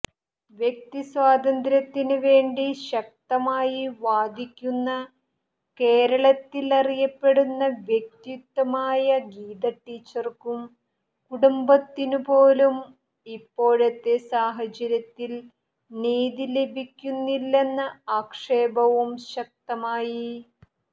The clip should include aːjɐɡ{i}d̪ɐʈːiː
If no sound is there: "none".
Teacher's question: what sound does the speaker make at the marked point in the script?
iː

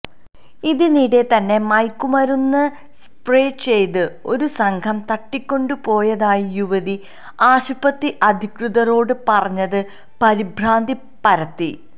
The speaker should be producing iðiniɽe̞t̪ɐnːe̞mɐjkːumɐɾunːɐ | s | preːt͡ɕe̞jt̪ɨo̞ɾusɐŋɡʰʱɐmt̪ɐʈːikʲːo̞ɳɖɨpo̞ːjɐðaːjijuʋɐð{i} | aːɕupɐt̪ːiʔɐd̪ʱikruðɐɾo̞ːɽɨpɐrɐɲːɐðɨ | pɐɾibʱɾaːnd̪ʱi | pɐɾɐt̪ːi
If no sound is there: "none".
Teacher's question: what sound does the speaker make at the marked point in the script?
i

